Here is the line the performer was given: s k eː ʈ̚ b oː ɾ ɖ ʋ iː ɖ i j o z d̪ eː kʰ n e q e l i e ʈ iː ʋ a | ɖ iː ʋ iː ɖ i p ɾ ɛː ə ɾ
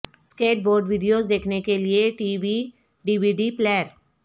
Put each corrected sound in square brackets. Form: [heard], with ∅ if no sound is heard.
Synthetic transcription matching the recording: s k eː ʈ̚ b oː ɾ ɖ ʋ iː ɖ i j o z d̪ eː kʰ n e [k] e l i e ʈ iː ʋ [i] | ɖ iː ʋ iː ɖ i p [l] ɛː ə ɾ